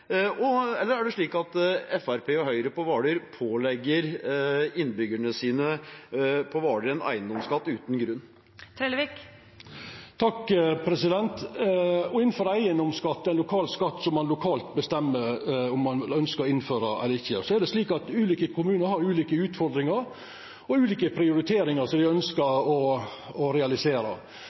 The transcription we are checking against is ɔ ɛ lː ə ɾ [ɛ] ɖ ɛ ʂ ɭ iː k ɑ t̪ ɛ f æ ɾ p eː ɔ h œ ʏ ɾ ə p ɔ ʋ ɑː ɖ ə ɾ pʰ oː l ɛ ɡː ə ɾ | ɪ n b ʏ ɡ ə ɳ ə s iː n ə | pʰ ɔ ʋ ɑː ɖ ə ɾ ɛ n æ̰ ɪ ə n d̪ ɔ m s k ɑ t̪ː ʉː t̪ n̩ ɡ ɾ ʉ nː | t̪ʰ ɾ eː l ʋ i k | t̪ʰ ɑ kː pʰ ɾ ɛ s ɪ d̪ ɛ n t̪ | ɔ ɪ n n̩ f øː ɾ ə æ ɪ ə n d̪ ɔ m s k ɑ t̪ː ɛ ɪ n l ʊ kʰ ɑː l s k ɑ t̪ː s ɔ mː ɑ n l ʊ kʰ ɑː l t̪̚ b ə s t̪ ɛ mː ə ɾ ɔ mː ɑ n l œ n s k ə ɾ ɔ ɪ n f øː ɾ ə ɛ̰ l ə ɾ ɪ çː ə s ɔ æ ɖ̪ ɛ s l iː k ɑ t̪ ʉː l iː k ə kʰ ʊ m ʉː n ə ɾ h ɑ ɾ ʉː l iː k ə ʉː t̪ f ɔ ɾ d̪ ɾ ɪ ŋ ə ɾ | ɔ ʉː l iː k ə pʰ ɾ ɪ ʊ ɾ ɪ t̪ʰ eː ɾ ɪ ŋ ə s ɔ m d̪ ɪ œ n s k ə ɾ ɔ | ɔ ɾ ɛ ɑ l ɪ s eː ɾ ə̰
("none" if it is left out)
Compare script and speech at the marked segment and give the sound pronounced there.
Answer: æ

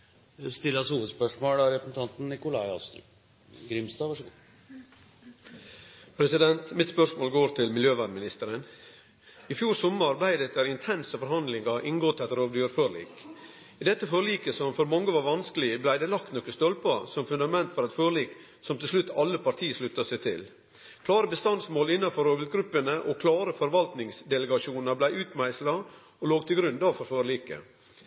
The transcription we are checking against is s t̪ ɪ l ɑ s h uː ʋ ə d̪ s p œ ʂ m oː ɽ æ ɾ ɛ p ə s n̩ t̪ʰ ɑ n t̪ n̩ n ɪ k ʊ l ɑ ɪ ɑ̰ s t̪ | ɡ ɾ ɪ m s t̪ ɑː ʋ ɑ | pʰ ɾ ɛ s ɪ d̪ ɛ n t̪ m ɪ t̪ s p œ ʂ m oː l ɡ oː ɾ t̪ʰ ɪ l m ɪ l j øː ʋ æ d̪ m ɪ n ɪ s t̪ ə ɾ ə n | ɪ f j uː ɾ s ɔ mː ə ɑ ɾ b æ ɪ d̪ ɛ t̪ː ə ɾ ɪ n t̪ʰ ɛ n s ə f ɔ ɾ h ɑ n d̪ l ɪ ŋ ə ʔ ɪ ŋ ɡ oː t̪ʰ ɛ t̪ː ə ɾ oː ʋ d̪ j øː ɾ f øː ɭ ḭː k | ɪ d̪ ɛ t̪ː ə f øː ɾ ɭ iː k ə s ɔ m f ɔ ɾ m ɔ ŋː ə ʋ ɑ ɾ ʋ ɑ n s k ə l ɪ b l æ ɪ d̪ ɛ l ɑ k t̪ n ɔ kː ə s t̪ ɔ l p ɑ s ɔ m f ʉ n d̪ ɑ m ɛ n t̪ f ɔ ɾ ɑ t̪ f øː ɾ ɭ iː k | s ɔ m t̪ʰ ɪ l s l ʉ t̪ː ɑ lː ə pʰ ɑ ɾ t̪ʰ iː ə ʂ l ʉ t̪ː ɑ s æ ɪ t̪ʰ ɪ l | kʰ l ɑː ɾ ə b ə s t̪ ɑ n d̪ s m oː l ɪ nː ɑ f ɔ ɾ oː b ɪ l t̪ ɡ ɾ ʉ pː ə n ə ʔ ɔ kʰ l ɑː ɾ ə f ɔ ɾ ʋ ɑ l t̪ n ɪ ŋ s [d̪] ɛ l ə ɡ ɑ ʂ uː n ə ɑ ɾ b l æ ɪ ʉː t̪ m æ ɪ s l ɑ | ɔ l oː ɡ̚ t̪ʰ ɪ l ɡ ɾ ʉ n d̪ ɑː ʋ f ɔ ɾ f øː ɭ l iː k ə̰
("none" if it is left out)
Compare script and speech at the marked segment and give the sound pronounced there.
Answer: d̪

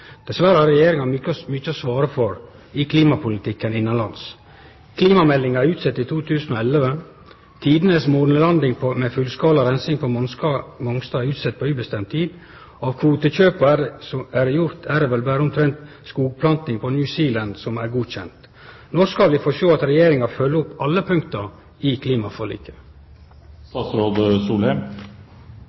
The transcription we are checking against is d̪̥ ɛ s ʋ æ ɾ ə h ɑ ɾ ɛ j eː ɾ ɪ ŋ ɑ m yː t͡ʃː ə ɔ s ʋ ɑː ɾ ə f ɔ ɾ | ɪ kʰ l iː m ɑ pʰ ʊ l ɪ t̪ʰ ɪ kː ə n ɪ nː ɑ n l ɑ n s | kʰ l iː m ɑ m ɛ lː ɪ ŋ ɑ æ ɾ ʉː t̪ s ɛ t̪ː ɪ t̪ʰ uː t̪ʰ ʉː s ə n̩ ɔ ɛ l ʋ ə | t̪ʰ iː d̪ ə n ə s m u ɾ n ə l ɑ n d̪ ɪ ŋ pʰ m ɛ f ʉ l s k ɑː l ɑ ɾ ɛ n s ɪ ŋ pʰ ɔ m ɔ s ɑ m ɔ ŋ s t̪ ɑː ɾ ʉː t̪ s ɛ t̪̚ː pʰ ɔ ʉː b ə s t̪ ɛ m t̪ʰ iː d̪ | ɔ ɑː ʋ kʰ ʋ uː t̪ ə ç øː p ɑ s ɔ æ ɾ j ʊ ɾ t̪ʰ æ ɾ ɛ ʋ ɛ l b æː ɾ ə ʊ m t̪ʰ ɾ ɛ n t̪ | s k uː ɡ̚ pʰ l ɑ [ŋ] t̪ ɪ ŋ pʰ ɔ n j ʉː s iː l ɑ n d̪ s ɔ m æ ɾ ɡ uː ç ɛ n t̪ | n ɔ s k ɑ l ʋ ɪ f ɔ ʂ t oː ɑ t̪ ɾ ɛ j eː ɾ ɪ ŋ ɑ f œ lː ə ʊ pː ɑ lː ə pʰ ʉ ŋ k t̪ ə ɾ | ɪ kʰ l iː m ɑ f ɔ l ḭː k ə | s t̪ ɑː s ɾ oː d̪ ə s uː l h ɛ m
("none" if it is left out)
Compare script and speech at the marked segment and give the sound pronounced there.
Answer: n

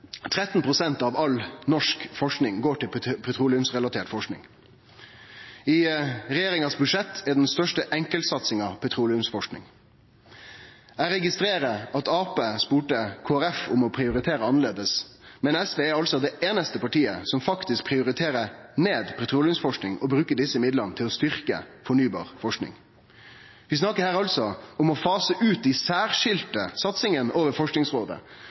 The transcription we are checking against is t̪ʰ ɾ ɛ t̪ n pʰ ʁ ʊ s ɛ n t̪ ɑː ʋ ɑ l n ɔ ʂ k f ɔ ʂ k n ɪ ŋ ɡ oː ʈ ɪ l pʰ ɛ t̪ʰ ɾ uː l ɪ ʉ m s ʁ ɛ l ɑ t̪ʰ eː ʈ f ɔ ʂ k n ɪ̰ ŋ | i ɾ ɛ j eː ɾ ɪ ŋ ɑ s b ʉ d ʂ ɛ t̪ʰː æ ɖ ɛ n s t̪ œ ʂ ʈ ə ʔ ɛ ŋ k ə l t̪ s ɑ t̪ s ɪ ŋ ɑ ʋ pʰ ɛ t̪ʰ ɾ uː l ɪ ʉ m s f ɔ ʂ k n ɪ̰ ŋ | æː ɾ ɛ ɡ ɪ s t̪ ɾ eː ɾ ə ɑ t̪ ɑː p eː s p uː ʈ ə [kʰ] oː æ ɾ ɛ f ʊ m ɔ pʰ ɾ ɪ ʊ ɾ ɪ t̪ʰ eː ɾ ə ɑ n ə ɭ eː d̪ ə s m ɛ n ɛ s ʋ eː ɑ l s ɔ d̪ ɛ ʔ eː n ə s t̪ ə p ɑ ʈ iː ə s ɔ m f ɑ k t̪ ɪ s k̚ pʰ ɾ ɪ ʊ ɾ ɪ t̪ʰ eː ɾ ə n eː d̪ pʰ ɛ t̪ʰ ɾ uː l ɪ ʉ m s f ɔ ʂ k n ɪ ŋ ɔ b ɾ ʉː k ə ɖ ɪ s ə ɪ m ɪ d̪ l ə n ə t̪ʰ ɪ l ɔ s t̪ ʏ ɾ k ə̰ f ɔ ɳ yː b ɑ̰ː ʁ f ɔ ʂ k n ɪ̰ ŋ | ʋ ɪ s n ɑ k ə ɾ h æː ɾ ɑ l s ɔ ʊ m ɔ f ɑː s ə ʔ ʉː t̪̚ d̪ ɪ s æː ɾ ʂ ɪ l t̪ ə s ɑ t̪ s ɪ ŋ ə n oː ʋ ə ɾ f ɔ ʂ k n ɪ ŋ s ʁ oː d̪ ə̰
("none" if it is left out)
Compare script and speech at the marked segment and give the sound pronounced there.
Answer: kʰ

